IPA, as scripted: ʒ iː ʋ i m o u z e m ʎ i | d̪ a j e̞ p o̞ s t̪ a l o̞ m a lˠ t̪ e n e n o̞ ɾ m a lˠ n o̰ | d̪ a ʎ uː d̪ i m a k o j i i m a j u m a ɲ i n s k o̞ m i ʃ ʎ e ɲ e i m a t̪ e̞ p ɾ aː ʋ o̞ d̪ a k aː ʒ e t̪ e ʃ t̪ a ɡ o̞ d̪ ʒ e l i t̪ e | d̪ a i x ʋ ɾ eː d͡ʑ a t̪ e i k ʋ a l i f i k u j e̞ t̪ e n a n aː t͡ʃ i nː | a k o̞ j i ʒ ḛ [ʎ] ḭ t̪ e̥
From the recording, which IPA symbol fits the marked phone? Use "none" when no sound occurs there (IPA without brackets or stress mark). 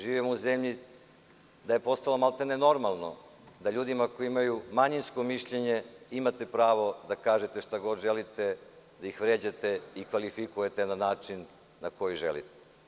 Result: l